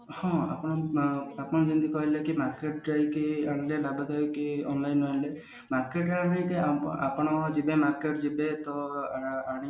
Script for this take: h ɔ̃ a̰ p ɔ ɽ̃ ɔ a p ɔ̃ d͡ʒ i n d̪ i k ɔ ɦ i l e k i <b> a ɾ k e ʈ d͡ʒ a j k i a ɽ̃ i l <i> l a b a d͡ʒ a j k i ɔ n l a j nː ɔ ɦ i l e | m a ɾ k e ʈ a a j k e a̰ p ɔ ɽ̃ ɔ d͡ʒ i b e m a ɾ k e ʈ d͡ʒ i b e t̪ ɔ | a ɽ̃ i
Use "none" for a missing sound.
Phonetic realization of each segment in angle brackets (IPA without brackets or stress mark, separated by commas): m, e